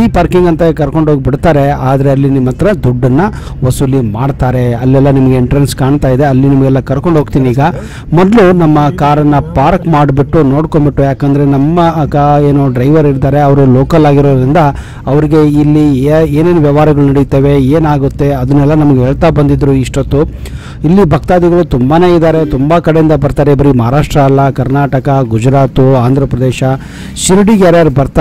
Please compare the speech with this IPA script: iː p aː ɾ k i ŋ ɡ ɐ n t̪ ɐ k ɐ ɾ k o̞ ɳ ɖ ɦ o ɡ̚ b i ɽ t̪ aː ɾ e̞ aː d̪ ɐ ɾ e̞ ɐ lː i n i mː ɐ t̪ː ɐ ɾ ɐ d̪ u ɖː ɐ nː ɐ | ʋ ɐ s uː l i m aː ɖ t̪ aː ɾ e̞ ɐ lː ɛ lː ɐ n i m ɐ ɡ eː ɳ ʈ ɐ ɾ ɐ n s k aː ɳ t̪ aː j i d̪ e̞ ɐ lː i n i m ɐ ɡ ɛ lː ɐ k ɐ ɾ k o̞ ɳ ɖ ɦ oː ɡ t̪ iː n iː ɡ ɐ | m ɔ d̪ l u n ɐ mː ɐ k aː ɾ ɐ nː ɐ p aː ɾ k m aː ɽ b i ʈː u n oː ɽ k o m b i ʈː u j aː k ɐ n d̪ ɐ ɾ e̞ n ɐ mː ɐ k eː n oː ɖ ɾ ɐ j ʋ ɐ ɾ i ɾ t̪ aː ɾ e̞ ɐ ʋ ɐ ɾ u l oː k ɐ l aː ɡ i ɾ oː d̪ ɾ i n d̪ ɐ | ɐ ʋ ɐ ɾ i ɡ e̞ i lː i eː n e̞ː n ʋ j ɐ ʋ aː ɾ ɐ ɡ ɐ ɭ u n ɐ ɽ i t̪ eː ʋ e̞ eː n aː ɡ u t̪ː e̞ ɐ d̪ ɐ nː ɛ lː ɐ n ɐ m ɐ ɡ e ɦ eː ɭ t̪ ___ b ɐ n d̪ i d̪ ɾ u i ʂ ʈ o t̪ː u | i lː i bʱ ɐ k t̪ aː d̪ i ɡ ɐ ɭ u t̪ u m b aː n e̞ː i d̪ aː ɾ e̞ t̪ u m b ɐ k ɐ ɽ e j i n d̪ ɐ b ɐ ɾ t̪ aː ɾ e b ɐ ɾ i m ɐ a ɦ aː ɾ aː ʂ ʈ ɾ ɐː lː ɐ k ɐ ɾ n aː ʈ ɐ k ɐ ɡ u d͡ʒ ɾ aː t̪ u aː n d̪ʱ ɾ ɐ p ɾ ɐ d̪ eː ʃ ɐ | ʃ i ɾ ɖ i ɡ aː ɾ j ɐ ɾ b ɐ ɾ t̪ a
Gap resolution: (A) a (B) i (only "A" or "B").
A